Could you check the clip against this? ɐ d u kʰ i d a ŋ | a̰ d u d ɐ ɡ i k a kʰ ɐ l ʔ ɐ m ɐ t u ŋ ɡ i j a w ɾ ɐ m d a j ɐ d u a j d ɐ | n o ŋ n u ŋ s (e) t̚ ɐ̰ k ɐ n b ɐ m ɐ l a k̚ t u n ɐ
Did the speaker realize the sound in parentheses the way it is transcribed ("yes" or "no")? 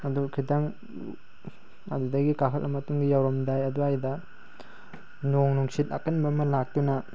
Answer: no